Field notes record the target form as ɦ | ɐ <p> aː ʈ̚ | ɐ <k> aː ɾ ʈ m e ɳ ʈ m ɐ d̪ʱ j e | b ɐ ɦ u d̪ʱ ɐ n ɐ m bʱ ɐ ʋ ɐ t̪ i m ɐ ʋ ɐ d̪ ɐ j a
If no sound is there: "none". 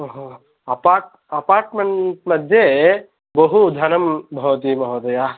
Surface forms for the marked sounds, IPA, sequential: p, p

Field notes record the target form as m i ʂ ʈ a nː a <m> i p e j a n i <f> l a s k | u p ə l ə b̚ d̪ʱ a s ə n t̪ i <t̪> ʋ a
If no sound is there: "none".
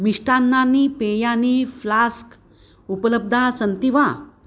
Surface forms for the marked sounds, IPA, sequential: n, f, none

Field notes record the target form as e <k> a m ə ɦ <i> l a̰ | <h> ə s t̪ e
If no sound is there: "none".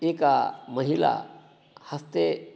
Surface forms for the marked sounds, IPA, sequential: k, i, h

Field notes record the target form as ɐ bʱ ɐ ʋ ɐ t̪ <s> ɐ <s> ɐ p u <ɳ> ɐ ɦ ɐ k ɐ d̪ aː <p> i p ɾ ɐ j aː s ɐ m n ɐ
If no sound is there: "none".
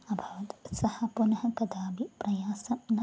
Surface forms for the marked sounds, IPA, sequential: s, h, n, b

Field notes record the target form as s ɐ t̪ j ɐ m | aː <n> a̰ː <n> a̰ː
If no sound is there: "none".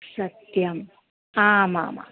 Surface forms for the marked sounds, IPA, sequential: m, m

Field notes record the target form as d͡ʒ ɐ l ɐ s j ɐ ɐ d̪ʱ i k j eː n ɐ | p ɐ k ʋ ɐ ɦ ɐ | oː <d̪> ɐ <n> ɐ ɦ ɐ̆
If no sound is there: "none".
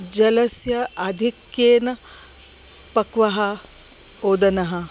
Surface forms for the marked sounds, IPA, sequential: d̪, n

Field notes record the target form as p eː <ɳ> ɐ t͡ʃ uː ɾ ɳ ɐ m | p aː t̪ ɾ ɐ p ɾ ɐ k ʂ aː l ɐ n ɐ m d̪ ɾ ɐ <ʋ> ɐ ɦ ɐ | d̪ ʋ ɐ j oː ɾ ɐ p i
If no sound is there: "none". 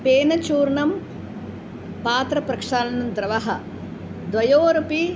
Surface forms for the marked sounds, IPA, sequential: n, ʋ

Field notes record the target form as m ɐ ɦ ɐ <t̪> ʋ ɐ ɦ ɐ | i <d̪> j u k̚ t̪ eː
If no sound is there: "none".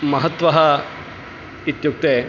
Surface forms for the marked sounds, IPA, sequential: t̪, t̪

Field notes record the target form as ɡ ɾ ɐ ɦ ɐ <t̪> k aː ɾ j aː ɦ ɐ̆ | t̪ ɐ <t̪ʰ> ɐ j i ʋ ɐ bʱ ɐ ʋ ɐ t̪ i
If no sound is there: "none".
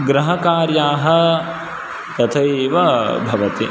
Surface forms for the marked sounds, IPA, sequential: none, t̪ʰ

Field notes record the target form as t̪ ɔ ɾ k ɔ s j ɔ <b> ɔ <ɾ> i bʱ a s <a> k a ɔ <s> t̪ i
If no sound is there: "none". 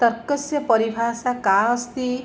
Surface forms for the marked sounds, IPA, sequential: p, ɾ, a, s

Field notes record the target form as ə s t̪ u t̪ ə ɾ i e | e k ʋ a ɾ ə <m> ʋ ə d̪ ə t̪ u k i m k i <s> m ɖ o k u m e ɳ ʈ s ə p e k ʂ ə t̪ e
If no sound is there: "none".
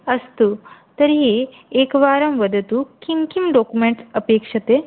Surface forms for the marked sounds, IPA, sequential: m, none

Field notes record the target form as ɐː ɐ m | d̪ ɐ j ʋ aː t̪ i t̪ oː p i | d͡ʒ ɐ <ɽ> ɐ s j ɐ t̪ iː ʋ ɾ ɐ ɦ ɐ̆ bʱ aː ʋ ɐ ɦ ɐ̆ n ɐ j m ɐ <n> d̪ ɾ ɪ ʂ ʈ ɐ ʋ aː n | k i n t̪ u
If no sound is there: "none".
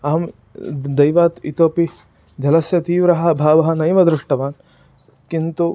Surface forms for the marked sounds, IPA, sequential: l, none

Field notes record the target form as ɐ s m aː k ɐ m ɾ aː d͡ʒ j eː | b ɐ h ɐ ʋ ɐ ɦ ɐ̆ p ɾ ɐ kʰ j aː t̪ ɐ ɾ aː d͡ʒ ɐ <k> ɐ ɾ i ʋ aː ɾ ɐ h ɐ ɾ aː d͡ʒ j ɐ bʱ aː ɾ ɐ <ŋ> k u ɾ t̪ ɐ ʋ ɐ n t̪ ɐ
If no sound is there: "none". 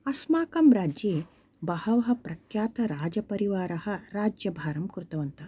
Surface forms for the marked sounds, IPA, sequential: p, m

